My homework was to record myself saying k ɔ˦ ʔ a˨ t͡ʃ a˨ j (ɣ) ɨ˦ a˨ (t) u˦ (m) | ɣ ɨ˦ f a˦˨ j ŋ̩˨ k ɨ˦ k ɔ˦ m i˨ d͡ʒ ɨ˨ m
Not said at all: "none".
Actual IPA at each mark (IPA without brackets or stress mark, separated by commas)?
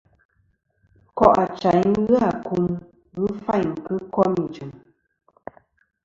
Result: ɣ, k, m